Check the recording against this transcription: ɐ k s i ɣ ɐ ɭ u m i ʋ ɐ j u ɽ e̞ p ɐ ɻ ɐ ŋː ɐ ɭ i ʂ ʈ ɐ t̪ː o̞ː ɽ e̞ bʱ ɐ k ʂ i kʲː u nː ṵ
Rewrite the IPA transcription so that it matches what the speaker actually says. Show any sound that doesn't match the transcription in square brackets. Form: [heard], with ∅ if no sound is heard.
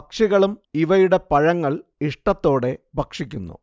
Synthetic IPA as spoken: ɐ k [ʂ] i ɣ ɐ ɭ u m i ʋ ɐ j u ɽ e̞ p ɐ ɻ ɐ ŋː ɐ ɭ i ʂ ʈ ɐ t̪ː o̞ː ɽ e̞ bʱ ɐ k ʂ i kʲː u nː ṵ